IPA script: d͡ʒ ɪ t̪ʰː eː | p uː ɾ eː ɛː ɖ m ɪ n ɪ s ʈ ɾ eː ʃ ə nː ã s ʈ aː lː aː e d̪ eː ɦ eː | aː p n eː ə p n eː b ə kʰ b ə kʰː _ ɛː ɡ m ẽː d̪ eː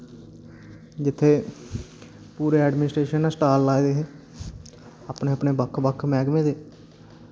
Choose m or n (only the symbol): m